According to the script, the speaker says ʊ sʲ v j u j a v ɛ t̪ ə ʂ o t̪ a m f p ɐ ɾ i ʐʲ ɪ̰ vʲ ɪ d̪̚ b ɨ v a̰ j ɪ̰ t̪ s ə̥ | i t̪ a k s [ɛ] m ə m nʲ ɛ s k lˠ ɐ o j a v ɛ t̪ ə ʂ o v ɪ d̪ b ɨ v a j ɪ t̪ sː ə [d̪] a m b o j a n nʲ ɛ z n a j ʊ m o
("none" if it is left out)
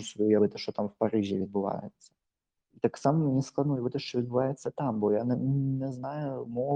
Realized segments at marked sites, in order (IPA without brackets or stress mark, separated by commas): a, t̪